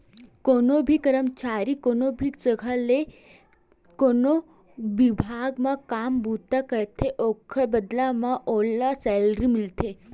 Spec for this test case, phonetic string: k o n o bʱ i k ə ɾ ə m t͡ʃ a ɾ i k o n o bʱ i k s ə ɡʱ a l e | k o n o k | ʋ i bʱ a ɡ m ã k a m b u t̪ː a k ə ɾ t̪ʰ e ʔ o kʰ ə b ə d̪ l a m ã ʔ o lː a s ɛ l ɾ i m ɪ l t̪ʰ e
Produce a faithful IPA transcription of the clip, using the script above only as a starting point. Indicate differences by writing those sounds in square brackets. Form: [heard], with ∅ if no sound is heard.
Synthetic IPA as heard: k o n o bʱ i k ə ɾ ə m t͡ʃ a ɾ i k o n o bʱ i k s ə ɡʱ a l e | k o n o [∅] | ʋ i bʱ a ɡ m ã k a m b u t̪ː a k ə ɾ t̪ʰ e ʔ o kʰ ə b ə d̪ l a m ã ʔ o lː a s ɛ l ɾ i m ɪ l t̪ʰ e